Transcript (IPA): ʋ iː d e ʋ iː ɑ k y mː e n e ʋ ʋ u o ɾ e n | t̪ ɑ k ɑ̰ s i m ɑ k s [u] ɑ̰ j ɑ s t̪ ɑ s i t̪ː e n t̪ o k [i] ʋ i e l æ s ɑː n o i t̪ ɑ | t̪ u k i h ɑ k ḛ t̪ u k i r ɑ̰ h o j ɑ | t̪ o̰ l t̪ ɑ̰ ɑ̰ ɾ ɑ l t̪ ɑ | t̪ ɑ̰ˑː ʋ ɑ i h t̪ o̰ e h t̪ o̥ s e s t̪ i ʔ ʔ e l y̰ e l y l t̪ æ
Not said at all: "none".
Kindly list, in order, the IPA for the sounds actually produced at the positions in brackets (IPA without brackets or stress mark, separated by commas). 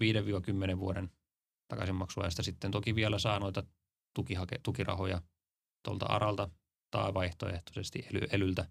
u, i